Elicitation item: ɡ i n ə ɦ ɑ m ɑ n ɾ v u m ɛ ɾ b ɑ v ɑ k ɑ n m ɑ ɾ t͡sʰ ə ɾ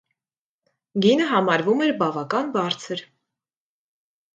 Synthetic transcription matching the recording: ɡ i n ə ɦ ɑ m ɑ ɾ v u m ɛ ɾ b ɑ v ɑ k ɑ n b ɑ ɾ t͡sʰ ə ɾ